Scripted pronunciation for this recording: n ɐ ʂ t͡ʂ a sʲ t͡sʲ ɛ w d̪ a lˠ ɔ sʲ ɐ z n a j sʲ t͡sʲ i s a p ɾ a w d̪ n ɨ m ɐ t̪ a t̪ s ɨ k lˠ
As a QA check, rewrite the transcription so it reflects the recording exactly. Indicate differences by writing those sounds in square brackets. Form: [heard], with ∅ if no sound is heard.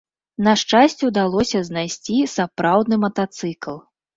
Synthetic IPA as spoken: n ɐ ʂ t͡ʂ a sʲ t͡sʲ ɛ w d̪ a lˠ ɔ sʲ ɐ z n a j sʲ t͡sʲ i s a p ɾ a w d̪ n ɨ m ɐ t̪ a t̪ s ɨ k lˠ